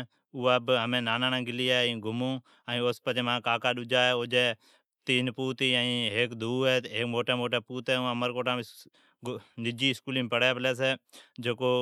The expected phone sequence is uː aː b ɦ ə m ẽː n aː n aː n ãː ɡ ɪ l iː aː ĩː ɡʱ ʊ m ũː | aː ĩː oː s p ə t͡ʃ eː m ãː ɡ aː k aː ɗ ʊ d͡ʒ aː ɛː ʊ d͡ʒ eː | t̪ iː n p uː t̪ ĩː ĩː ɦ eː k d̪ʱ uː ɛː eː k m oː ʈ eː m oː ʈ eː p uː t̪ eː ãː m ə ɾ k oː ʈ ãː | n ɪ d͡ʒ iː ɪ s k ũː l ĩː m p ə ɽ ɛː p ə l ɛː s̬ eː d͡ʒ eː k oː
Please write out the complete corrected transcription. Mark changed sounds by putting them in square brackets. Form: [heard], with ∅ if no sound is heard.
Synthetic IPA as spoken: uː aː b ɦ ə m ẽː n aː n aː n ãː ɡ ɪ l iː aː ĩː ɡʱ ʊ m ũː | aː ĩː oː s p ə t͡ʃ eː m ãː [k] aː k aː ɗ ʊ d͡ʒ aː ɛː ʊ d͡ʒ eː | t̪ iː n p uː t̪ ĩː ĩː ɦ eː k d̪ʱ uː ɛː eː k m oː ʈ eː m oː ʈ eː p uː t̪ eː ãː m ə ɾ k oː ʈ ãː | n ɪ d͡ʒ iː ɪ s k [uː] l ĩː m p ə ɽ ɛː p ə l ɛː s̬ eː d͡ʒ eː k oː